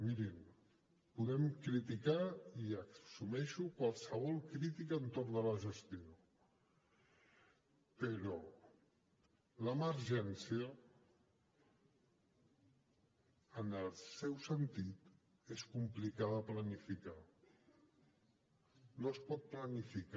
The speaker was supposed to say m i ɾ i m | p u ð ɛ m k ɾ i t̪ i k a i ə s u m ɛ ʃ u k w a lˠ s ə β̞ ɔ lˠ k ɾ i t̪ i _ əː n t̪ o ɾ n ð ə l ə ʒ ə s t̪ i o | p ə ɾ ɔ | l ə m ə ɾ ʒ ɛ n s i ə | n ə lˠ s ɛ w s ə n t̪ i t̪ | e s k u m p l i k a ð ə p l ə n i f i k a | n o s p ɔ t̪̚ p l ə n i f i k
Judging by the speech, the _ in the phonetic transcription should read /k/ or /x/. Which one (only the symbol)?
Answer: k